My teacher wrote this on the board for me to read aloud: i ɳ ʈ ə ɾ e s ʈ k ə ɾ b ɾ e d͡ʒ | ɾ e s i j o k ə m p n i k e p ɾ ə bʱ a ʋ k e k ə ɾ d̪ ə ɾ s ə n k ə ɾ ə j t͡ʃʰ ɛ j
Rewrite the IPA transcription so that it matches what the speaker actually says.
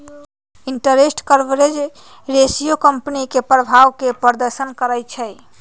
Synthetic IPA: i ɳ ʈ ə ɾ e s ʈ k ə ɾ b ɾ e d͡ʒ | ɾ e s i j o k ə m p n i k e p ɾ ə bʱ a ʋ k e p ə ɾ d̪ ə ɾ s ə n k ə ɾ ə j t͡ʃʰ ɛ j